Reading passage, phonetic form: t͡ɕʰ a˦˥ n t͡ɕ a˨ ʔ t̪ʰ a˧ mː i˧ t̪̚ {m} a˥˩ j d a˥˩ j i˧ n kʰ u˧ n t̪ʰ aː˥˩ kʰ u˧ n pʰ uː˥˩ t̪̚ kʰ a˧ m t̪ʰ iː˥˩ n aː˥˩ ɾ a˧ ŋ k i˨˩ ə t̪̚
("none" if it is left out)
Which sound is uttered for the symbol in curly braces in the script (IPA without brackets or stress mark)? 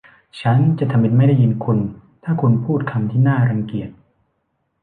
m